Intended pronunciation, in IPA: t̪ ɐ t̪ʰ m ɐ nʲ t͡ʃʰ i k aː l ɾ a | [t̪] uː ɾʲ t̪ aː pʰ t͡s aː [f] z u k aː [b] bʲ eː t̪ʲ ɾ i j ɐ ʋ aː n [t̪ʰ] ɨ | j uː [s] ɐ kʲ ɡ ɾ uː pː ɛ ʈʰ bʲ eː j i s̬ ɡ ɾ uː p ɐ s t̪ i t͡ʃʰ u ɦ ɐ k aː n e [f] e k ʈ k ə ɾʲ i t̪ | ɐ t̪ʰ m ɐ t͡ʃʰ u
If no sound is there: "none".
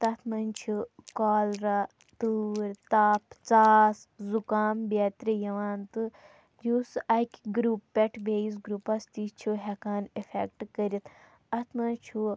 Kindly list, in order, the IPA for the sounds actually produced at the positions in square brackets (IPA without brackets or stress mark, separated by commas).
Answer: t̪, s, m, t̪, s, f